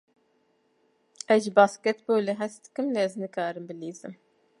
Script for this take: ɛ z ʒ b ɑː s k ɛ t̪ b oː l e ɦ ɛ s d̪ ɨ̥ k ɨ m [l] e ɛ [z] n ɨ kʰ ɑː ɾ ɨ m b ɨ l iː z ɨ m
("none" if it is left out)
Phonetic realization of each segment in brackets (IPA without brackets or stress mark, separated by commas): l, z